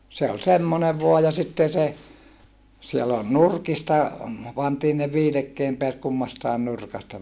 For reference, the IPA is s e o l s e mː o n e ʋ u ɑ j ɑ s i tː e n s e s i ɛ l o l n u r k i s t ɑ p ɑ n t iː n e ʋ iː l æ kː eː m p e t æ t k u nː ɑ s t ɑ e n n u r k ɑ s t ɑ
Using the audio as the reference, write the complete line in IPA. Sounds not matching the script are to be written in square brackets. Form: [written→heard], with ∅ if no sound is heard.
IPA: s e o l s e mː o n e ʋ u ɑ j ɑ s i tː e n s e s i [ɛ→e] l o l n u r k i s t ɑ p ɑ n t iː n e ʋ iː l [æ→e] kː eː m p e [t→∅] æ t k u [nː→mː] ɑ s t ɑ e n n u r k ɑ s t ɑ